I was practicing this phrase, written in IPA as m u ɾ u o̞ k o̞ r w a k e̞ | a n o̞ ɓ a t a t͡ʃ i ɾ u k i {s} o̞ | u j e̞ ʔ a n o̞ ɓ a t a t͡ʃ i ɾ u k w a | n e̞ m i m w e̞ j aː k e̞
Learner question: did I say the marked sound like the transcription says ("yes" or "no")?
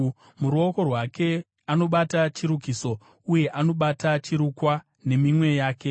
yes